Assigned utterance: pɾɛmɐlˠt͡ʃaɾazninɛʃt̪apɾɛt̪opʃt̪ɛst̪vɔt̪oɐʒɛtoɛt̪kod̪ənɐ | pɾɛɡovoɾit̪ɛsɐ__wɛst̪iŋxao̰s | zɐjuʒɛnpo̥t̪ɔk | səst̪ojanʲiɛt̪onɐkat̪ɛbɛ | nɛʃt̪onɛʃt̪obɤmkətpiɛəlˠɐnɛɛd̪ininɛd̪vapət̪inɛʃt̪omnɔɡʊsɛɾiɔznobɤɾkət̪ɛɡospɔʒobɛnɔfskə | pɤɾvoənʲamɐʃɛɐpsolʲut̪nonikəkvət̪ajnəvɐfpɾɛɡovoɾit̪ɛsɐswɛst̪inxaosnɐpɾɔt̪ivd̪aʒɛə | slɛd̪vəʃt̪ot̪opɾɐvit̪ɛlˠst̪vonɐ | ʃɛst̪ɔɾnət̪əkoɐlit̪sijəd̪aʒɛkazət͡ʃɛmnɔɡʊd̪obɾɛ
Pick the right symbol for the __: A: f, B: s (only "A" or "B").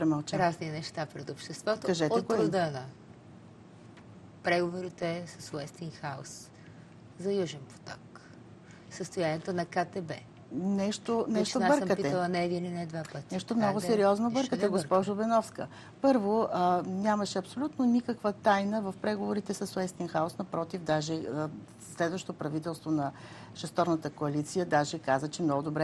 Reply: B